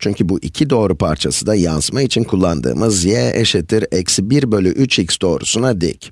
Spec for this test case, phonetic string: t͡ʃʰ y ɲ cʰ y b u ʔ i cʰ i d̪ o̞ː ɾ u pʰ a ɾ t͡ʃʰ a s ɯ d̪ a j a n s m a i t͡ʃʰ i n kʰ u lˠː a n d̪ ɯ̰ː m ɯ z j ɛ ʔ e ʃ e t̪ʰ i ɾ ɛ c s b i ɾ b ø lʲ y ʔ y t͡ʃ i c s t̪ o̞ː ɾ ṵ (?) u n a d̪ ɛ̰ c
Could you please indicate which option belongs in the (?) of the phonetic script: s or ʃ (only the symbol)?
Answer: s